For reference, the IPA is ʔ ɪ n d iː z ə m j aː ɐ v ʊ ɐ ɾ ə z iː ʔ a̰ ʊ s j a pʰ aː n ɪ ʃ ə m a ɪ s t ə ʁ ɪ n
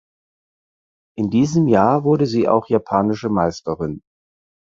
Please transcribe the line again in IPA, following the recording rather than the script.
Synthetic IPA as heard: ʔ ɪ n d iː z ə m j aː ɐ v ʊ ɐ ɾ ə z iː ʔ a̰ ʊ x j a pʰ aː n ɪ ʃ ə m a ɪ s t ə ʁ ɪ n